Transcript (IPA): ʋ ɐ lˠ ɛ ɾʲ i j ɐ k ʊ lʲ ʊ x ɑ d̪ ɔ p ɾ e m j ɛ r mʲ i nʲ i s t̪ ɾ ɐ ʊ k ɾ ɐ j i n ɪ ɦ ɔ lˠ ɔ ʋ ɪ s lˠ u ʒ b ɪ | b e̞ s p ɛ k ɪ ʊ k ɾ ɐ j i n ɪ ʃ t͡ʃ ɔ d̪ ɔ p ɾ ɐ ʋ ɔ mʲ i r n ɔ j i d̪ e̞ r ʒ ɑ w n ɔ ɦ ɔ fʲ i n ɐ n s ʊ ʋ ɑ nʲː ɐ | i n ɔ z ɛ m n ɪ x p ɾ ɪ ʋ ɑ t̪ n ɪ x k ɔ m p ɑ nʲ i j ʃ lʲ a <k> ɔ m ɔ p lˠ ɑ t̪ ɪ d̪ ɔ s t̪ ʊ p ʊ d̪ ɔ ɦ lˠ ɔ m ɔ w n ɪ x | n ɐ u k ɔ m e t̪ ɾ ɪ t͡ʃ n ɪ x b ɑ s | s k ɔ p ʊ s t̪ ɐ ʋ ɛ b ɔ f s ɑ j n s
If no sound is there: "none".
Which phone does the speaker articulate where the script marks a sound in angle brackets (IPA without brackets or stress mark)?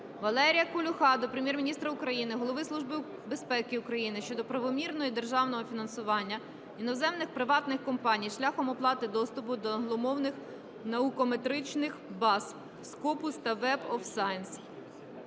x